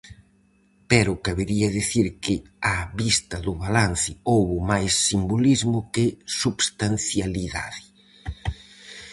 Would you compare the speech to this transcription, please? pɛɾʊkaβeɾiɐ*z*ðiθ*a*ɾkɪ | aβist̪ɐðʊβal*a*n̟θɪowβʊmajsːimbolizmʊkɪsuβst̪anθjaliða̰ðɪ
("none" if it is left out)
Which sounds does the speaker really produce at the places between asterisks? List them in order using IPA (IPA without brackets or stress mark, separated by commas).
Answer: none, i, a